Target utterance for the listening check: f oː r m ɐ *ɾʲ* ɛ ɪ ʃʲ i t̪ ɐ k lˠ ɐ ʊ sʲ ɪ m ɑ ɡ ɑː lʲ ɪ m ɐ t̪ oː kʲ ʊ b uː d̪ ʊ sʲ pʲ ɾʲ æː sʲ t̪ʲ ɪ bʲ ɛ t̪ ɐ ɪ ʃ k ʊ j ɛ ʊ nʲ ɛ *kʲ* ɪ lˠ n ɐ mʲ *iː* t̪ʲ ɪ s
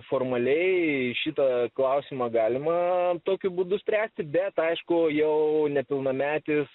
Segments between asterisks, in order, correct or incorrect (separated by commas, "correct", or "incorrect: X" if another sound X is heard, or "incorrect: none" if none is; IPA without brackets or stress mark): incorrect: lʲ, incorrect: pʲ, incorrect: æː